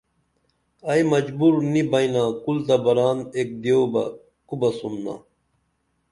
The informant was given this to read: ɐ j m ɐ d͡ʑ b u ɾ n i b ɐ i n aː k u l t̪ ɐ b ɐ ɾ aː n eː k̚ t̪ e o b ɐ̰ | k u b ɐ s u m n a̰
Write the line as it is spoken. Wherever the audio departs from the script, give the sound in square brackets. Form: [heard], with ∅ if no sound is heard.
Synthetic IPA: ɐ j m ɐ d͡ʑ b u ɾ n i b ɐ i n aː k u l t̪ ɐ b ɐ ɾ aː n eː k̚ [d̪] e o b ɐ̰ | k u b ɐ s u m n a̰